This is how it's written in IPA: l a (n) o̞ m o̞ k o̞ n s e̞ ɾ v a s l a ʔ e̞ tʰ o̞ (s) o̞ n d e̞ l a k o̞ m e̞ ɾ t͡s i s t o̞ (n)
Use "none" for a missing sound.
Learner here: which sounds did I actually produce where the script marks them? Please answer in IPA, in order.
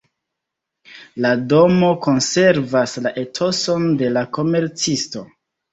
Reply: d, s, none

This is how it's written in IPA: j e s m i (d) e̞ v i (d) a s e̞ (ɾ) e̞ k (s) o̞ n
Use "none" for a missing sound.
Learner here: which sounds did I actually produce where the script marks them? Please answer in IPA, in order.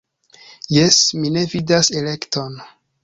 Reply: n, d, l, t

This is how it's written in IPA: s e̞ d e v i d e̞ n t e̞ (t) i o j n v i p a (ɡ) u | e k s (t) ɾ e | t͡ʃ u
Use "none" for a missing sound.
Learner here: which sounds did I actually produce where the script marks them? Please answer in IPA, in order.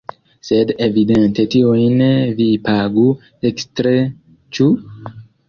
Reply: t, ɡ, t

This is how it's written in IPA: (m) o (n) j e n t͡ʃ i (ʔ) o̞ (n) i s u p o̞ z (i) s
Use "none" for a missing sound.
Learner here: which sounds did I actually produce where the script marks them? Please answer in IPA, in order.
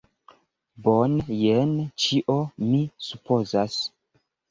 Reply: b, n, ʔ, m, a

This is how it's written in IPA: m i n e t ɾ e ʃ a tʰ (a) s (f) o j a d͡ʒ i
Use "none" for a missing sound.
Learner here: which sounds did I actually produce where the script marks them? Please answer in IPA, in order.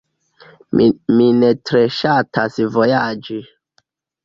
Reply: a, v

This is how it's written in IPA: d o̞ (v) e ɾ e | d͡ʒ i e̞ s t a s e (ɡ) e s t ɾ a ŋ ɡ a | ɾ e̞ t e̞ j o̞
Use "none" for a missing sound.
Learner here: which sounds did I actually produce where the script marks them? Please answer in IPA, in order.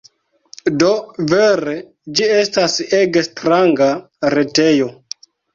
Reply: v, ɡ

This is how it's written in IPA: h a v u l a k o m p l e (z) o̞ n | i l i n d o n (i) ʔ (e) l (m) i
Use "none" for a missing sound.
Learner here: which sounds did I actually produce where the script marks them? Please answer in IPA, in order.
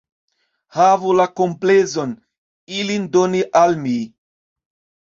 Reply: z, i, a, m

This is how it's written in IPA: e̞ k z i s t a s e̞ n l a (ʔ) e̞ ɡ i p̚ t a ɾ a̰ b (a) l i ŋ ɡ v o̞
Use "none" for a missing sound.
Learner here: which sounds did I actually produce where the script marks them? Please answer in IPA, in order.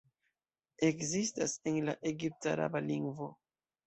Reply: ʔ, a

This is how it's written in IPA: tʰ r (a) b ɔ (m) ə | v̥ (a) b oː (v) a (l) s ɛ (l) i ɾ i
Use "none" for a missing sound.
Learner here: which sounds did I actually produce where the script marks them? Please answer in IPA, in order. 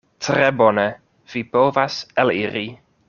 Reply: ɛ, n, i, v, none, l

